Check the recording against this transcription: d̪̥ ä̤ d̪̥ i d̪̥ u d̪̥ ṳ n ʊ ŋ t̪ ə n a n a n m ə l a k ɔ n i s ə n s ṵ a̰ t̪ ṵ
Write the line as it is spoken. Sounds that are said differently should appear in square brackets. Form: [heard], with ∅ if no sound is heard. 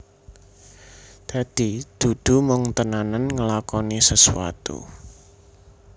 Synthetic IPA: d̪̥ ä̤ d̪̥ i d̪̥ u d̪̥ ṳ [m] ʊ ŋ t̪ ə n a n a n [ŋ] ə l a k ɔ n i s ə [∅] s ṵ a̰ t̪ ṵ

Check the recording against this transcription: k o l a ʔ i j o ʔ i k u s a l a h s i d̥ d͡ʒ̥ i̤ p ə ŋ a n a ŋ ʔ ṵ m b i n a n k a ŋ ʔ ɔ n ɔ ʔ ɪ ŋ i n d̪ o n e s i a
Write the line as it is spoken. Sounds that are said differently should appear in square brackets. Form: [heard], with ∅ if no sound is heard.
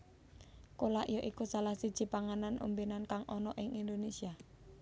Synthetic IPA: k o l a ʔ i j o ʔ i k u s a l a h s i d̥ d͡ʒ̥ i̤ p [a] ŋ a n a [n] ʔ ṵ m b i n a n k a ŋ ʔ ɔ n ɔ ʔ ɪ ŋ i n d̪ o n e s i a

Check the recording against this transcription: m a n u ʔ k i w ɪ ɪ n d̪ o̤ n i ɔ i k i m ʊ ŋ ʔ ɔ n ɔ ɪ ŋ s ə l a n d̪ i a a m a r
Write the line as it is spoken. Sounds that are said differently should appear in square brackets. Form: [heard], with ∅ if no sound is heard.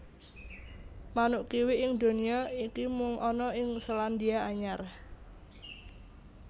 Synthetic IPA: m a n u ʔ k i w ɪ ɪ [ŋ] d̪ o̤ n i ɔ i k i m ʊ ŋ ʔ ɔ n ɔ ɪ ŋ s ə l a n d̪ i a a [ɲ] a r

